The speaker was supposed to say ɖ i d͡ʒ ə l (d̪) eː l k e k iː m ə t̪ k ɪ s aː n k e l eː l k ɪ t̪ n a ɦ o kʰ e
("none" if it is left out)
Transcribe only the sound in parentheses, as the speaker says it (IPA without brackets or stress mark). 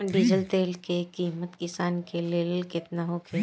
t̪